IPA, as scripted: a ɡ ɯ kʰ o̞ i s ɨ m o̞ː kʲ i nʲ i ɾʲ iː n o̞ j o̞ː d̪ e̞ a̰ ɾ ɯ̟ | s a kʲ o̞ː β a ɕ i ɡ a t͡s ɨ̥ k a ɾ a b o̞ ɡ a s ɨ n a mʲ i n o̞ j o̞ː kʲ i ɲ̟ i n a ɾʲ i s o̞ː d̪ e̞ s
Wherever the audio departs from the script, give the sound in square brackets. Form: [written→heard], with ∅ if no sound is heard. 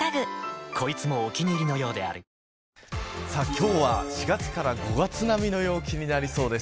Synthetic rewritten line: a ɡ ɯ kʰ o̞ i [s→t͡s] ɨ m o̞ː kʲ i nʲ i ɾʲ [iː→i] n o̞ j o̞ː d̪ e̞ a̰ ɾ ɯ̟ | s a kʲ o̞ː β a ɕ i ɡ a t͡s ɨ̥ k a ɾ a [b→ɡ] o̞ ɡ a [s→t͡s] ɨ n a mʲ i n o̞ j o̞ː kʲ i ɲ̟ i n a ɾʲ i s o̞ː d̪ e̞ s